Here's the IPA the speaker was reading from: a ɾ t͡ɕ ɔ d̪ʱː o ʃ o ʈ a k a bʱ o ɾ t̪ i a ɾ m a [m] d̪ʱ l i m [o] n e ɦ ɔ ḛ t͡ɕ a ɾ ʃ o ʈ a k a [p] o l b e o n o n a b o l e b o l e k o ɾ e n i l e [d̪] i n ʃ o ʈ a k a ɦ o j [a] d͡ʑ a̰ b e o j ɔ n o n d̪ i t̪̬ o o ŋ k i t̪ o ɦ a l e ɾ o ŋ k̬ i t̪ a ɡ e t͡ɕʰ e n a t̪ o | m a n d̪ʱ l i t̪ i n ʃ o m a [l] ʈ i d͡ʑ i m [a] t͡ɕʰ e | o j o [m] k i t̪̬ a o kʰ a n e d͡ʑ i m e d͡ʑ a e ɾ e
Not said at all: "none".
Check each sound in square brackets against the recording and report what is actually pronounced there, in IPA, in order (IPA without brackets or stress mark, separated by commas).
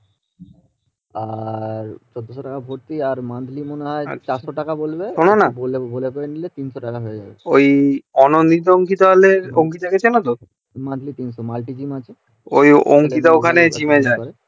n, o, b, t̪, e, l, a, ŋ